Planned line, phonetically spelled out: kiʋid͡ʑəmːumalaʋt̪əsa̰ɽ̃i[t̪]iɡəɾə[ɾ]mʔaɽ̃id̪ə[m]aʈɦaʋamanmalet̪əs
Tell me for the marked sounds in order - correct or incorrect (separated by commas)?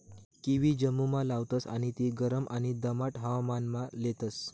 correct, incorrect, correct